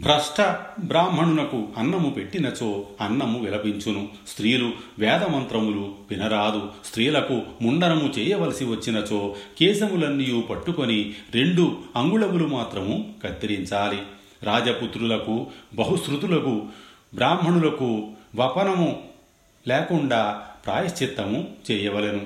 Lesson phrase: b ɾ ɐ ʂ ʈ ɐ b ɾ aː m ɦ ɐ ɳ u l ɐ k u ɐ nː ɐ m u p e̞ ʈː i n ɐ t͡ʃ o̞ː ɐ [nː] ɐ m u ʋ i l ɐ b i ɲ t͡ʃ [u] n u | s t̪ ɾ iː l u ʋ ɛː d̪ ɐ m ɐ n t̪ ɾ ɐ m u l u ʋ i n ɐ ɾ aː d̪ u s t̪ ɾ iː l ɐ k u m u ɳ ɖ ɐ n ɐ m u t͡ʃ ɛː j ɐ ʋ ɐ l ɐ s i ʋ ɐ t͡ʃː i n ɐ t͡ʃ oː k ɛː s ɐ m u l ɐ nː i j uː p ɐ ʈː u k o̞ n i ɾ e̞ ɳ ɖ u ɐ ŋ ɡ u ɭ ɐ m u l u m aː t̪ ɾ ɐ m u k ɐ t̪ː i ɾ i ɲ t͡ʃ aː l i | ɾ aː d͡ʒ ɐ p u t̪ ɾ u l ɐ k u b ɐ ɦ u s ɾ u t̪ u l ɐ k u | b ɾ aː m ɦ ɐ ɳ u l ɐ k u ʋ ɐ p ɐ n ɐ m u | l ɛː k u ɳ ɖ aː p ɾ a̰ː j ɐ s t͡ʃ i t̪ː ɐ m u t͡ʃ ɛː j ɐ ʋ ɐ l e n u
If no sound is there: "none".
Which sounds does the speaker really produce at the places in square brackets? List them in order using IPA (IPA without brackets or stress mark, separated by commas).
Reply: nː, u